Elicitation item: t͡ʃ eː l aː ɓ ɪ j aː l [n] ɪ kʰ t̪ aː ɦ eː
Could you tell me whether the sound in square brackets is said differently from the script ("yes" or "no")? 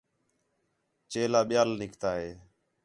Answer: no